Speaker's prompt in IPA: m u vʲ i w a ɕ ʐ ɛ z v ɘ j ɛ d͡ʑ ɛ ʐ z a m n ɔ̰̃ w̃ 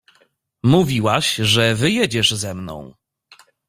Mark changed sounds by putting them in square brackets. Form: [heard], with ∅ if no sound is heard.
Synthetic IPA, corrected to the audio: m u vʲ i w a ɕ ʐ ɛ [∅] v ɘ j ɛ d͡ʑ ɛ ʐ z [ɛ] m n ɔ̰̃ w̃